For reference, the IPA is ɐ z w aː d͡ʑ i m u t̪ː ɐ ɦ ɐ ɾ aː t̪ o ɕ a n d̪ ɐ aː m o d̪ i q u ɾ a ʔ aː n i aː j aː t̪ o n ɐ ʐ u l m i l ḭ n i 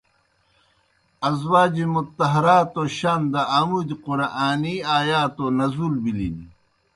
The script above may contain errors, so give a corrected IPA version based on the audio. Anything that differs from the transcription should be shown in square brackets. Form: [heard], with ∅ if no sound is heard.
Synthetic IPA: ɐ z w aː d͡ʑ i m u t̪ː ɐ ɦ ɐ ɾ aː t̪ o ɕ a n d̪ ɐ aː m [u] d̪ i q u ɾ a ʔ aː n i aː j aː t̪ o n ɐ [z] u l [b] i l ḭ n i